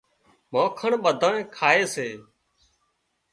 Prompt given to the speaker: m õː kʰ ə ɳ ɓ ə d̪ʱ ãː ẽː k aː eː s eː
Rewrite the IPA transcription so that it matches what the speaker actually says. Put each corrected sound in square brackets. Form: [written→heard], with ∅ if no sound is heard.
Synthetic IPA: m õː kʰ ə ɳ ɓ ə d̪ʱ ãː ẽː [k→kʰ] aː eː s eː